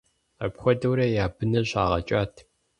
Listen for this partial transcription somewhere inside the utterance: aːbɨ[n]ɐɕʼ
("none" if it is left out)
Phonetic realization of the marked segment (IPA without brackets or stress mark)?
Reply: n